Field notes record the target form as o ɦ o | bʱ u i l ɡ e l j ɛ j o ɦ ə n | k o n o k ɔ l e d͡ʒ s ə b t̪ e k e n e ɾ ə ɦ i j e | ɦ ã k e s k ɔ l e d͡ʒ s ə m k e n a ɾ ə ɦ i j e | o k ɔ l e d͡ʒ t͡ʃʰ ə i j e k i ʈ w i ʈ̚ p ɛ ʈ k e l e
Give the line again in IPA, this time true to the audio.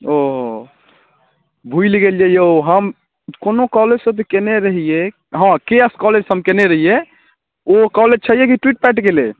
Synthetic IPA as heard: o ɦ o | bʱ u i l ɡ e l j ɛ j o ɦ ə m | k o n o k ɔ l e d͡ʒ s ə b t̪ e k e n e ɾ ə ɦ i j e | ɦ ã k e s k ɔ l e d͡ʒ s ə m k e n e ɾ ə ɦ i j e | o k ɔ l e d͡ʒ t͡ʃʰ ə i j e k i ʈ w i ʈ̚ p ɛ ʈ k e l e